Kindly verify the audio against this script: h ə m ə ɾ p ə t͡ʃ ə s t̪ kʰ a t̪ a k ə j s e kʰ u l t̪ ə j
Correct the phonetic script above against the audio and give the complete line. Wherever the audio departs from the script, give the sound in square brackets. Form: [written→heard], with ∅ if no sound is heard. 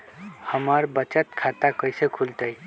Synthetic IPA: h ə m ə ɾ [p→b] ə t͡ʃ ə [s→∅] t̪ kʰ a t̪ a k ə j s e kʰ u l t̪ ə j